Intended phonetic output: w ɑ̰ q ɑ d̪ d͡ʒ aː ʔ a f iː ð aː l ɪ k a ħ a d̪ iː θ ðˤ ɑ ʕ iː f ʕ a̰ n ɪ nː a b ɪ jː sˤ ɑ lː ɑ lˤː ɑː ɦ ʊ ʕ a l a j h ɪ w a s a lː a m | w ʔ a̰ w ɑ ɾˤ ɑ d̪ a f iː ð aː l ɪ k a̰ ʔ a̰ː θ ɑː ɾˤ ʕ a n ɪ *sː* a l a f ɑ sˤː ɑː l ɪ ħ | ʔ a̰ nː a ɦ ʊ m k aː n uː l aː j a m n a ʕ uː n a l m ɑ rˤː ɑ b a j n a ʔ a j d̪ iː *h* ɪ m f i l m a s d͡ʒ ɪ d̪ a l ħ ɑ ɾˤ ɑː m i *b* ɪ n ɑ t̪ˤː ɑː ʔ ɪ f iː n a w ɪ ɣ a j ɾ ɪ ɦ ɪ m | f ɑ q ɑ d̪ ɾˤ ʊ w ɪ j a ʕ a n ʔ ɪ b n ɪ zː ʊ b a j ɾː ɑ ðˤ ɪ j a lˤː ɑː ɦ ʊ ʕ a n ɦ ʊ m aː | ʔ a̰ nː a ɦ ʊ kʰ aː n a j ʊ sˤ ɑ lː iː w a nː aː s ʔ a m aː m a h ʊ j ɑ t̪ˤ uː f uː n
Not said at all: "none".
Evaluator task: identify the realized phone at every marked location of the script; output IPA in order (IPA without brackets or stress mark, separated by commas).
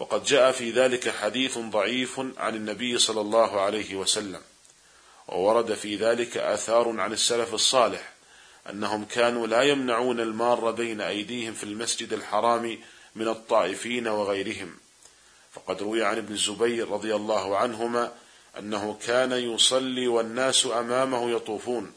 sː, h, m